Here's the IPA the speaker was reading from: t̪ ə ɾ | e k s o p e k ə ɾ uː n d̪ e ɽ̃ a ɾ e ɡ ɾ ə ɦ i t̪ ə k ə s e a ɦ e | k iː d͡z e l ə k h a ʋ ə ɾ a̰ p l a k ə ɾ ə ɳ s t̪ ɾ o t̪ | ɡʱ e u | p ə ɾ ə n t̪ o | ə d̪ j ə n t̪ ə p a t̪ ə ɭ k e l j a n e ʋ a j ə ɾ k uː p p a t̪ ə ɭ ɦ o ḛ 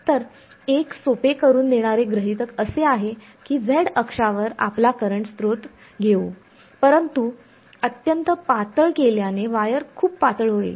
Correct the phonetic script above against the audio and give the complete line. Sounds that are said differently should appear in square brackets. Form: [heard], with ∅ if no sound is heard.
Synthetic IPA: t̪ ə ɾ | e k s o p e k ə ɾ uː n d̪ e ɽ̃ a ɾ e ɡ ɾ ə ɦ i t̪ ə k ə s e a ɦ e | k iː d͡z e [ɽ] ə k [ʂ] a ʋ ə ɾ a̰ p l a k ə ɾ ə ɳ s t̪ ɾ o t̪ | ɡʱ e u | p ə ɾ ə n t̪ [u] | ə [t̪] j ə n t̪ ə p a t̪ ə ɭ k e l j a n e ʋ a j ə ɾ [kʰ] uː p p a t̪ ə ɭ ɦ o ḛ